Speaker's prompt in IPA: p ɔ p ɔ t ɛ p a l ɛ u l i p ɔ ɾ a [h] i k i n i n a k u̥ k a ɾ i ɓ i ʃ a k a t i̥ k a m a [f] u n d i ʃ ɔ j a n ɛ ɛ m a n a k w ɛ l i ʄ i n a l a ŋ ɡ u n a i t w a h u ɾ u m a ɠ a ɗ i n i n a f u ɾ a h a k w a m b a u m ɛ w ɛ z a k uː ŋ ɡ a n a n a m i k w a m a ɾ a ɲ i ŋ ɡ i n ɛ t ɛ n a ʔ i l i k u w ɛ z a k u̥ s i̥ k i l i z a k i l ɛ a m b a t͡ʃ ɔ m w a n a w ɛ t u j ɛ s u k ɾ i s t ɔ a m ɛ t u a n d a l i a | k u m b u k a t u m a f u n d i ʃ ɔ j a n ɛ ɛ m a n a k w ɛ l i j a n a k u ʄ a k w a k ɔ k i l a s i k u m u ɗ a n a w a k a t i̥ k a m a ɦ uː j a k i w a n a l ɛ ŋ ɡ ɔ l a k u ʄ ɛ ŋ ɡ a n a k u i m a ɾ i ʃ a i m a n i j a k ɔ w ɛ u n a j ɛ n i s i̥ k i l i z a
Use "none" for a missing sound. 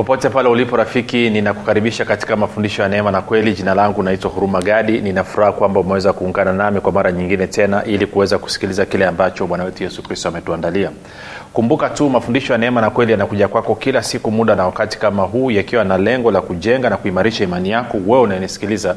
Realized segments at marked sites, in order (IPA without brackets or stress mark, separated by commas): f, f